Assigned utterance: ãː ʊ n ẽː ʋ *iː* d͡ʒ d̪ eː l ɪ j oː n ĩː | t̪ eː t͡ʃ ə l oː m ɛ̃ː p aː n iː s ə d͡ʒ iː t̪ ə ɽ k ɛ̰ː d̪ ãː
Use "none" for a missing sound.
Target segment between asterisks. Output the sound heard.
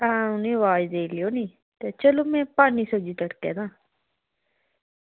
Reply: aː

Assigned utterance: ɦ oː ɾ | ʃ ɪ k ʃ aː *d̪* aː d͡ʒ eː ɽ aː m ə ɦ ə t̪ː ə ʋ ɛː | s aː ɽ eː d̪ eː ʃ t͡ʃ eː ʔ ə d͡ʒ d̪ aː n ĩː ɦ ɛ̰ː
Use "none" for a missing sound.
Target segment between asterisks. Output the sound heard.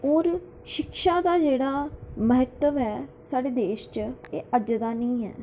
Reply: d̪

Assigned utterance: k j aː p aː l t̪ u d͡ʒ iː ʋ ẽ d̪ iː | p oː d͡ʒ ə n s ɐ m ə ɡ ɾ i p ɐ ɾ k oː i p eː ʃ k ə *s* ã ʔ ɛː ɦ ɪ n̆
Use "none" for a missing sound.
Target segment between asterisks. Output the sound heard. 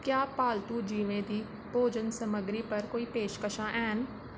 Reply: ʃ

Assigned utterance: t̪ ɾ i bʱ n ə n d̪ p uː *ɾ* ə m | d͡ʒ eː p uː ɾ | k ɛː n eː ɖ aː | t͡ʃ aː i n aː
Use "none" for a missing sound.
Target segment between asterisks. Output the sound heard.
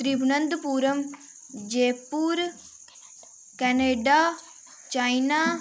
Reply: ɾ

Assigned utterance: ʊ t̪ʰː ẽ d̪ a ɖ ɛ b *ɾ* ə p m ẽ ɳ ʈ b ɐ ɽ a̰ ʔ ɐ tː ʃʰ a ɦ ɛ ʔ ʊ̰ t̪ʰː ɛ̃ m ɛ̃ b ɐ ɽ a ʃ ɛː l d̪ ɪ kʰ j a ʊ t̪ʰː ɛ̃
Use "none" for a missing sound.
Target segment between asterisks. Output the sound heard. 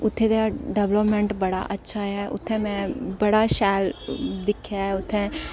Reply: l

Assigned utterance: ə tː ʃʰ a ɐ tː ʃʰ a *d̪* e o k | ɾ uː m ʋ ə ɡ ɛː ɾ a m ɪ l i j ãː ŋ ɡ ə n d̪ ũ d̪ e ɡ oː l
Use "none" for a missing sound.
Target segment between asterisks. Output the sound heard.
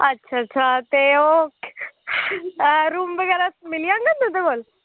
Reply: t̪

